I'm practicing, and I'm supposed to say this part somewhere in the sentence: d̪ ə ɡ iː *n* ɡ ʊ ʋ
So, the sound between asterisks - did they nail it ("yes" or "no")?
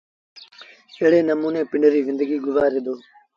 no